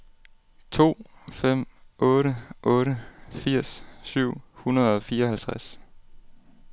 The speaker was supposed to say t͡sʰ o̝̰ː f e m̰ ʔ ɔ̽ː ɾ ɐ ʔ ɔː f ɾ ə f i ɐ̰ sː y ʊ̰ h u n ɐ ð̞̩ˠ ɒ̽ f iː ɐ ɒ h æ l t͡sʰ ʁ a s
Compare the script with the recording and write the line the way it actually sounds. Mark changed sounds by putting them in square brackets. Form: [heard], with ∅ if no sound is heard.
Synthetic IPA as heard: t͡sʰ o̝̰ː f e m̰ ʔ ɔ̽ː ɾ [ə] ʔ ɔː [∅] ɾ ə f i ɐ̰ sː y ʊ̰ h u n ɐ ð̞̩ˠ ɒ̽ f iː ɐ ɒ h æ l t͡sʰ ʁ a s